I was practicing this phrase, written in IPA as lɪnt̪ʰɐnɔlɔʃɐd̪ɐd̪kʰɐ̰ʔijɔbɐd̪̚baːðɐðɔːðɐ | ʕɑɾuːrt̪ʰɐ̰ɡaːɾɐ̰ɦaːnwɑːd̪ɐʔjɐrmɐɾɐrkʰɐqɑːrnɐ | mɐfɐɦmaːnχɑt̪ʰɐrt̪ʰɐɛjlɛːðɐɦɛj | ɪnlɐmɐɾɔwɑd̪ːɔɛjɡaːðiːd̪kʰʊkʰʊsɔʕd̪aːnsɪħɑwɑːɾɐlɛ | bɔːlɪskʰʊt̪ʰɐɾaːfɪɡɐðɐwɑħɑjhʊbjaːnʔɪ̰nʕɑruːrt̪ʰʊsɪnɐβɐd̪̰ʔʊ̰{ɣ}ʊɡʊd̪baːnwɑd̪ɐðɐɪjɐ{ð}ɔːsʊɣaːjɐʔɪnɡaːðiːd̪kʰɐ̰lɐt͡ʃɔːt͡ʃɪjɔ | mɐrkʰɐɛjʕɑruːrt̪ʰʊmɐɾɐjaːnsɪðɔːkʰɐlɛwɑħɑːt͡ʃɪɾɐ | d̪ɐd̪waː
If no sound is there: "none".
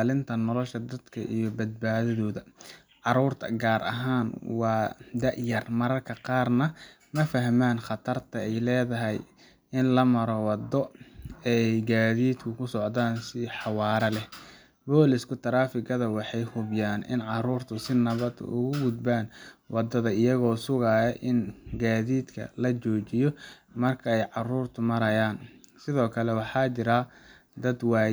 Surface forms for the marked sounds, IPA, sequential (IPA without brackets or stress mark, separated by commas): ɣ, ɣ